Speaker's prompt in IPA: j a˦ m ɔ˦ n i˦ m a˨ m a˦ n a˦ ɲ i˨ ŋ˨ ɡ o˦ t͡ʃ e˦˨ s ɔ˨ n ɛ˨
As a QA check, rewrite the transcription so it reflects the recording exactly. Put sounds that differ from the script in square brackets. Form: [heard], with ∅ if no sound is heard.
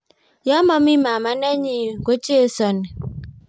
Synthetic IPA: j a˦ m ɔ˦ [m] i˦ m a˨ m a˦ n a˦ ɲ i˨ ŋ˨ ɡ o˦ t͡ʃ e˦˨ s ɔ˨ n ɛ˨